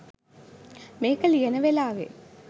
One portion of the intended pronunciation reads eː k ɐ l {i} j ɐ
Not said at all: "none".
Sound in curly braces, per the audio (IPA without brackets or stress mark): i